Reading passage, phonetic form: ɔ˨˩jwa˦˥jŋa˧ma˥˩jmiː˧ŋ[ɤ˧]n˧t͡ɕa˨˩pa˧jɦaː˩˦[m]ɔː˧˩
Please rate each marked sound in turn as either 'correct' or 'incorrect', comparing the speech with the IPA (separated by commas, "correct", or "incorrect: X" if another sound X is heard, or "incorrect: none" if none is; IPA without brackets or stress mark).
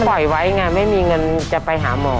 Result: correct, correct